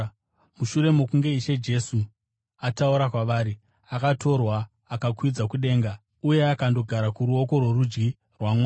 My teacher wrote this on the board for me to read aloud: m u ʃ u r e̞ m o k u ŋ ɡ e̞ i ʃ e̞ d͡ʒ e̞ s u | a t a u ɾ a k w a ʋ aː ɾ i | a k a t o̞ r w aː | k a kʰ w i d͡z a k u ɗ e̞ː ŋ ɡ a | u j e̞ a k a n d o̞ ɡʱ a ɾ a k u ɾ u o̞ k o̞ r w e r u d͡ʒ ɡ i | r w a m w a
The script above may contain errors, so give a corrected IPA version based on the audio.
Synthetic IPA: m u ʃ u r e̞ m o k u ŋ ɡ e̞ i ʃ e̞ d͡ʒ e̞ s u | a t a u ɾ a k w a ʋ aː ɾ i | a k a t o̞ r w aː | k a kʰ w i d͡z a k u ɗ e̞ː ŋ ɡ a | u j e̞ a k a n d o̞ ɡʱ a ɾ a k u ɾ u o̞ k o̞ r w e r u d͡ʒ ɡ i | r w a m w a